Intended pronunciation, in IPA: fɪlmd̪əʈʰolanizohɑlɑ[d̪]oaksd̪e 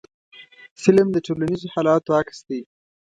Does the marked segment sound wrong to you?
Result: yes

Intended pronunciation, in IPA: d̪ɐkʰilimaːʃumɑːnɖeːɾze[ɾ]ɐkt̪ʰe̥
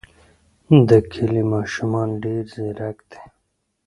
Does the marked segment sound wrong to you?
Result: no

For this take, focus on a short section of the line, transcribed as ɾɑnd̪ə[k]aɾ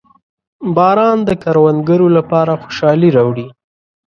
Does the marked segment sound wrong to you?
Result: no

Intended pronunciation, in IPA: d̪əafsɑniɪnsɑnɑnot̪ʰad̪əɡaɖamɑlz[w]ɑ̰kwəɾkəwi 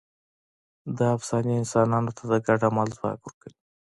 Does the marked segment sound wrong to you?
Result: no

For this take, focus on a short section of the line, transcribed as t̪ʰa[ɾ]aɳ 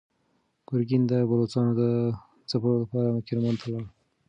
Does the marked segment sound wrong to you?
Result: yes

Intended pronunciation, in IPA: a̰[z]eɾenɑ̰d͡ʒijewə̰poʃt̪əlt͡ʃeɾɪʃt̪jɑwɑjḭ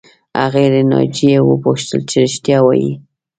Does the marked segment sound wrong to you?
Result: yes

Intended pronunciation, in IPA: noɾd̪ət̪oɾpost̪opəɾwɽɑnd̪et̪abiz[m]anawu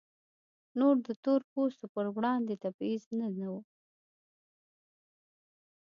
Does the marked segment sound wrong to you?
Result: yes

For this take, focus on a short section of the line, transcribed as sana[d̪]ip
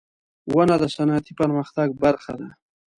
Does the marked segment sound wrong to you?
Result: yes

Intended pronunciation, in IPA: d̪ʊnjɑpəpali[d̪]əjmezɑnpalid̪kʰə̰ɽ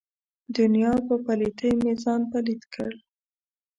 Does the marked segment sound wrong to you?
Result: yes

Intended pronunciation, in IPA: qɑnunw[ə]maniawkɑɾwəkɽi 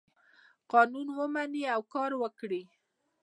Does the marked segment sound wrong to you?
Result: no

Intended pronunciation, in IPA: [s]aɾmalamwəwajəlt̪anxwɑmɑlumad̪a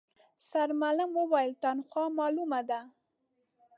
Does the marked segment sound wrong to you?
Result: no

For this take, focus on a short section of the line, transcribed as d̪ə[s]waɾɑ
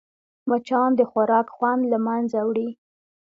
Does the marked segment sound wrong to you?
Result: yes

